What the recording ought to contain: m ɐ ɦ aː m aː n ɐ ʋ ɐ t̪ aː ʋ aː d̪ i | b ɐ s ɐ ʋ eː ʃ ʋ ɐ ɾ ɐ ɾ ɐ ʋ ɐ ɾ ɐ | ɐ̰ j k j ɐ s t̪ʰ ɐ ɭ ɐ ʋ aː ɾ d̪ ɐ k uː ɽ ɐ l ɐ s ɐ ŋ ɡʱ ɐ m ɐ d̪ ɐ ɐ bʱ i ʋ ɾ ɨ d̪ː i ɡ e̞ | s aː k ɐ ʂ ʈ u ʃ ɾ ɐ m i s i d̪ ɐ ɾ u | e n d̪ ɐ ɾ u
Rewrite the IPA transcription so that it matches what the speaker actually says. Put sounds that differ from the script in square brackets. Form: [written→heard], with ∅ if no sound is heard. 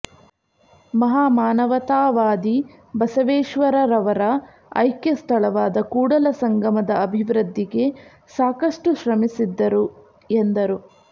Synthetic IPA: m ɐ ɦ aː m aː n ɐ ʋ ɐ t̪ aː ʋ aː d̪ i | b ɐ s ɐ ʋ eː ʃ ʋ ɐ ɾ ɐ ɾ ɐ ʋ ɐ ɾ ɐ | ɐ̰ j k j ɐ s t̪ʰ ɐ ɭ ɐ ʋ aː [ɾ→∅] d̪ ɐ k uː ɽ ɐ l ɐ s ɐ ŋ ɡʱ ɐ m ɐ d̪ ɐ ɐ bʱ i ʋ ɾ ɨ d̪ː i ɡ e̞ | s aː k ɐ ʂ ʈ u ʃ ɾ ɐ m i s i [d̪→d̪ː] ɐ ɾ u | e n d̪ ɐ ɾ u

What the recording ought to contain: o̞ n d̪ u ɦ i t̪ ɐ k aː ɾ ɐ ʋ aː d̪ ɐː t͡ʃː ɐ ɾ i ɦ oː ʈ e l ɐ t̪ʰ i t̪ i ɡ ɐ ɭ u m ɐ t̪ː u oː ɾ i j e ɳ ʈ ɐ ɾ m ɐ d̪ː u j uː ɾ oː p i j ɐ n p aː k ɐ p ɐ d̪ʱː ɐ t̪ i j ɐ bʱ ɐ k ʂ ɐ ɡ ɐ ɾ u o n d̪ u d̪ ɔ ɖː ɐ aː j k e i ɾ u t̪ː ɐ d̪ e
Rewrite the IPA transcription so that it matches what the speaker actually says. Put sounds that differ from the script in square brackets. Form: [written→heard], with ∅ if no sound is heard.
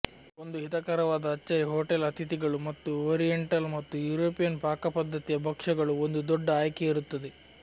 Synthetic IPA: o̞ n d̪ u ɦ i t̪ ɐ k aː ɾ ɐ ʋ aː d̪ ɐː t͡ʃː ɐ ɾ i ɦ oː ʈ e l ɐ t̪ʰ i t̪ i ɡ ɐ ɭ u m ɐ t̪ː u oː ɾ i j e ɳ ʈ ɐ [ɾ→l] m ɐ [d̪ː→t̪ː] u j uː ɾ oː p i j ɐ n p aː k ɐ p ɐ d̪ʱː ɐ t̪ i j ɐ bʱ ɐ k ʂ ɐ ɡ ɐ [ɾ→ɭ] u o n d̪ u d̪ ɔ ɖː ɐ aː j k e i ɾ u t̪ː ɐ d̪ e

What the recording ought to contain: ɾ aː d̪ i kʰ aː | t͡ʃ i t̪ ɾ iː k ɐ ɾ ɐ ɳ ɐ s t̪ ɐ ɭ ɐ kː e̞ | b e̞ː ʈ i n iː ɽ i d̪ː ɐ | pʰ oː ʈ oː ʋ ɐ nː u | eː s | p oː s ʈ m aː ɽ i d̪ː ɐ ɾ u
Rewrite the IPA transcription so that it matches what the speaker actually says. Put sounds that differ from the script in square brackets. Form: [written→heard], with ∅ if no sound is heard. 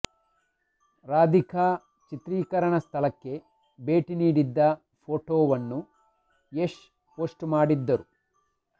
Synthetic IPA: ɾ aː d̪ i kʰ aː | t͡ʃ i t̪ ɾ iː k ɐ ɾ ɐ ɳ ɐ s [t̪→t̪ʰ] ɐ [ɭ→l] ɐ kː e̞ | b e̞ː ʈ i n iː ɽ i d̪ː ɐ | pʰ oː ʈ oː ʋ ɐ nː u | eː [s→ʂ] | p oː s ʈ m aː ɽ i d̪ː ɐ ɾ u

